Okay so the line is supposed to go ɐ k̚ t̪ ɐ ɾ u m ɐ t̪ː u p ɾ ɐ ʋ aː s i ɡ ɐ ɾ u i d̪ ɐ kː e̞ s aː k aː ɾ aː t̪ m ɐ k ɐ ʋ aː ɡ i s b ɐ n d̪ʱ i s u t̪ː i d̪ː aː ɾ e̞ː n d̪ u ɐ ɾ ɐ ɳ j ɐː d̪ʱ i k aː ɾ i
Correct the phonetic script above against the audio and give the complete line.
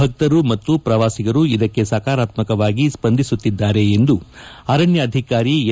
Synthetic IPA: ɐ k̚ t̪ ɐ ɾ u m ɐ t̪ː u p ɾ ɐ ʋ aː s i ɡ ɐ ɾ u i d̪ ɐ kː e̞ s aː k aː ɾ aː t̪ m ɐ k ɐ ʋ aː ɡ i s p ɐ n d̪ʱ i s u t̪ː i d̪ː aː ɾ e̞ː n d̪ u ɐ ɾ ɐ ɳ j ɐː d̪ʱ i k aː ɾ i